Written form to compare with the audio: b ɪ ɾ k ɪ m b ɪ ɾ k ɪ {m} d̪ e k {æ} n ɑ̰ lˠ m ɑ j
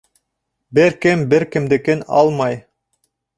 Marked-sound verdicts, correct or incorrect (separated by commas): correct, incorrect